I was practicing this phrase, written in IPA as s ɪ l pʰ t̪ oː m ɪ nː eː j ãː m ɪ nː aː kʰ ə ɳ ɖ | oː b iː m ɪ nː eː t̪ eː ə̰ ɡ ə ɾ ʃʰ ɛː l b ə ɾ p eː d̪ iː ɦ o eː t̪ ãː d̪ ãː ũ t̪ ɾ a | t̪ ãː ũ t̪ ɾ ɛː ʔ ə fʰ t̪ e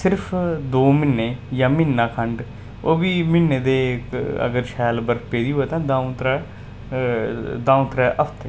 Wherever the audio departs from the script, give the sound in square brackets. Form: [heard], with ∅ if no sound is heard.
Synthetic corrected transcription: s ɪ [ɾ] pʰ [d̪] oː m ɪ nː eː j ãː m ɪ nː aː kʰ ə ɳ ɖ | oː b iː m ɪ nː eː [d̪] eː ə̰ ɡ ə ɾ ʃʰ ɛː l b ə ɾ p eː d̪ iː ɦ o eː t̪ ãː d̪ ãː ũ t̪ ɾ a | [d̪] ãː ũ t̪ ɾ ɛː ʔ ə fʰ t̪ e

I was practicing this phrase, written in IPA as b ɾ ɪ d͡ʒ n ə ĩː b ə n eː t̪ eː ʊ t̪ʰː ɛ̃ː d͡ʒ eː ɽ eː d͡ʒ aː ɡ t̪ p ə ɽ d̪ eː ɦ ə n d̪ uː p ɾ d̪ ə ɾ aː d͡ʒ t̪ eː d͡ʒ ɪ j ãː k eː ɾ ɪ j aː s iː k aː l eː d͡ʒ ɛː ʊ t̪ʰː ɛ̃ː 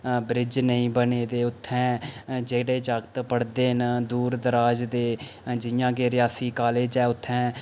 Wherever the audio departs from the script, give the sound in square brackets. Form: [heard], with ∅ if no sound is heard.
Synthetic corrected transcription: b ɾ ɪ d͡ʒ n ə ĩː b ə n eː [d̪] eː ʊ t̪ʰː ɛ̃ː d͡ʒ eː ɽ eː d͡ʒ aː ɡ t̪ p ə ɽ d̪ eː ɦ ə n d̪ uː [∅] ɾ d̪ ə ɾ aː d͡ʒ [d̪] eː d͡ʒ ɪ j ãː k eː ɾ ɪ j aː s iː k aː l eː d͡ʒ ɛː ʊ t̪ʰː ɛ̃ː

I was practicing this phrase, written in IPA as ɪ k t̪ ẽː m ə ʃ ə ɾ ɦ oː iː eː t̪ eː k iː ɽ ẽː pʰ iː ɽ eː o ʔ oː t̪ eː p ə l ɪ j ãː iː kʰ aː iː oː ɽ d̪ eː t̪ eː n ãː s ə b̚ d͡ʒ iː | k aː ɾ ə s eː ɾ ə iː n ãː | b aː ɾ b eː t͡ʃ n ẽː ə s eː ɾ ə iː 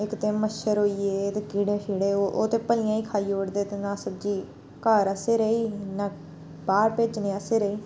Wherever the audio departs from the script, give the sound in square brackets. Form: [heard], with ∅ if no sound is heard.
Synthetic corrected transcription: ɪ k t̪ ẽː m ə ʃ ə ɾ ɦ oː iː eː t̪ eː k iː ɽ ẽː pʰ iː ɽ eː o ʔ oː t̪ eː p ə l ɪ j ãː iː kʰ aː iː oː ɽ d̪ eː t̪ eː n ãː s ə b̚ d͡ʒ iː | k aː ɾ ə s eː ɾ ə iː n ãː | b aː ɾ [p] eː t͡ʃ n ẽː ə s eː ɾ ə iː

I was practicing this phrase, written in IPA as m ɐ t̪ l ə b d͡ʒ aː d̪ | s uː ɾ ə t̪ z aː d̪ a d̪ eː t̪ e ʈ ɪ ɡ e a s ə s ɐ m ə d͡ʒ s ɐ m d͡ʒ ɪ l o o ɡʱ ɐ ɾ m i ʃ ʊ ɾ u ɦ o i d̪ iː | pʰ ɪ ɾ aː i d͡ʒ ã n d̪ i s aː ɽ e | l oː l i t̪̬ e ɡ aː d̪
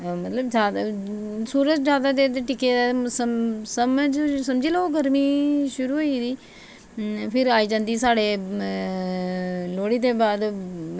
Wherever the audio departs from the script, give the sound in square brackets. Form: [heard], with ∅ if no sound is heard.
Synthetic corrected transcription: m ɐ t̪ l ə b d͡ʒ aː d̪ | s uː ɾ ə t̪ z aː d̪ a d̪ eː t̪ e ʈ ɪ [k] e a s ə s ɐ m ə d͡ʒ s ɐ m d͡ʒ [i] l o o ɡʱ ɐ ɾ m i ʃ ʊ ɾ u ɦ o i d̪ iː | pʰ ɪ ɾ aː i d͡ʒ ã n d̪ i s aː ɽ e | l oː [ɽ] i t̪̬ e [b] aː d̪

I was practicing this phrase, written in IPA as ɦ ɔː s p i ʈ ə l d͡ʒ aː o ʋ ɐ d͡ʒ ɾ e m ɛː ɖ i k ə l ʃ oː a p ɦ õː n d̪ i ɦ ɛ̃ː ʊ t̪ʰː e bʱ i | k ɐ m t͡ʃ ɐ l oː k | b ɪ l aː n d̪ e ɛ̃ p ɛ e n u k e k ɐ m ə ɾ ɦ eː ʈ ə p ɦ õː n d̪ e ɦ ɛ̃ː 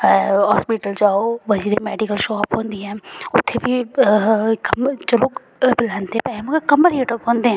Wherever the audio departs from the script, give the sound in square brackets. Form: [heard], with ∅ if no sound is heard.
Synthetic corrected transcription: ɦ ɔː s p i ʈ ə l d͡ʒ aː o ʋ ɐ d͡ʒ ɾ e m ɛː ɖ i k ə l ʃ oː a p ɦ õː n d̪ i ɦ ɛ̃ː ʊ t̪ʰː e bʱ i | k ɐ m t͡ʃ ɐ l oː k | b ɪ l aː n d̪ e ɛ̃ p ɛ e [m] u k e k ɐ m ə ɾ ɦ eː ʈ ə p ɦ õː n d̪ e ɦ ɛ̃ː

